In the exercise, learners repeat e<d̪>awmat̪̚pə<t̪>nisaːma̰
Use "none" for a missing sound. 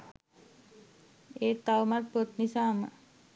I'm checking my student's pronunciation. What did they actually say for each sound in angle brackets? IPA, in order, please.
t̪, t̪

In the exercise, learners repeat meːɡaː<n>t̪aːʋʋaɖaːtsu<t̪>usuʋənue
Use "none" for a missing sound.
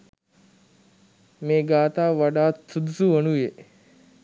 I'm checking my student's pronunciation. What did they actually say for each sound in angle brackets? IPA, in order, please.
none, d̪

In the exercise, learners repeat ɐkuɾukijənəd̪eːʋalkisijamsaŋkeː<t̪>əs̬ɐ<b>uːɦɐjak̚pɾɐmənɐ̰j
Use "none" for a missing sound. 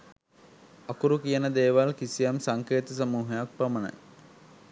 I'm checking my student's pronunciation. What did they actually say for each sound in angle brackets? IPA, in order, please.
t̪, m

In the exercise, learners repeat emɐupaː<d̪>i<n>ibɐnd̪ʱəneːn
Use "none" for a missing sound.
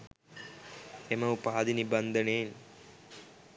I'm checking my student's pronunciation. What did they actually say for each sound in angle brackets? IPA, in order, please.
d̪, n

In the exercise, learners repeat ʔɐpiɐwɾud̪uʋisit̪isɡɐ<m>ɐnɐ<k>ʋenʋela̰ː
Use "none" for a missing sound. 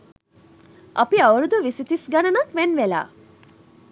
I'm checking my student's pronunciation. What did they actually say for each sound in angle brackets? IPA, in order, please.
n, k

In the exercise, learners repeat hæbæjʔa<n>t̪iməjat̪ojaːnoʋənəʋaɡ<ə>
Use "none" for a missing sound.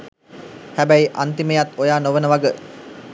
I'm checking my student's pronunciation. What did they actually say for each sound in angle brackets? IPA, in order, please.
n, ə

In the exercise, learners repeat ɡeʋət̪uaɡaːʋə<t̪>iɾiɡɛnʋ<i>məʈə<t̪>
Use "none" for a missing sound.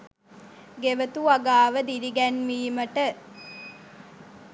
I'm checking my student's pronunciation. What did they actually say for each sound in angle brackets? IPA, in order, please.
d̪, iː, none

